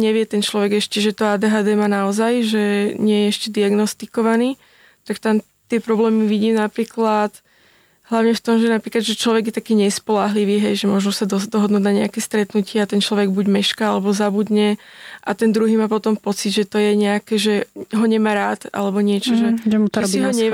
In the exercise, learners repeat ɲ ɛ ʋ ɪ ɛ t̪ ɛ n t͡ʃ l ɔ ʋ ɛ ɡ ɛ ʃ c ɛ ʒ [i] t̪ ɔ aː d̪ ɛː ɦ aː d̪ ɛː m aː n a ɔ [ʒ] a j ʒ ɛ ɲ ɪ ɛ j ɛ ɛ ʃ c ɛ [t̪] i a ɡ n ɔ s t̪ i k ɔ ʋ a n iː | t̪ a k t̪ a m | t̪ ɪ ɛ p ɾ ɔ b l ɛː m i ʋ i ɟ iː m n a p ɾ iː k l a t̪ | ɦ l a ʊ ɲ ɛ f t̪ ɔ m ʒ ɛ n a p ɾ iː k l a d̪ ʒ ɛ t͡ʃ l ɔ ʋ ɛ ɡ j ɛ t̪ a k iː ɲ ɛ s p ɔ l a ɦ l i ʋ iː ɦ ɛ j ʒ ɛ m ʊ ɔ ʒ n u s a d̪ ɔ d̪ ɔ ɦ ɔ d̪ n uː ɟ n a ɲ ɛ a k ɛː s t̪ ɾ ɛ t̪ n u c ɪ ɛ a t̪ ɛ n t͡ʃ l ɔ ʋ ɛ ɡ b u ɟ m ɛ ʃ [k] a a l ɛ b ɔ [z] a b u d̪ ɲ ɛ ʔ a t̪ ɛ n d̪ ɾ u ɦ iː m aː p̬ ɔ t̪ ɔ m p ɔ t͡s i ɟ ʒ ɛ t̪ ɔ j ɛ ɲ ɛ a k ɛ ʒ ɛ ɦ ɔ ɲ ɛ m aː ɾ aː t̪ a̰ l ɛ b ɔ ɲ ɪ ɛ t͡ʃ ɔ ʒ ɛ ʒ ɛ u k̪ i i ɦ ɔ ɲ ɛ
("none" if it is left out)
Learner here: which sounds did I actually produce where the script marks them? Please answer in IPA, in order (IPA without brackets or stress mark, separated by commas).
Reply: ɛ, z, d̪, k, z